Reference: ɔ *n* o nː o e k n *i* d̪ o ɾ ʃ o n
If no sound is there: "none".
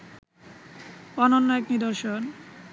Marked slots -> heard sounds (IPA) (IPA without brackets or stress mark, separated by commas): n, i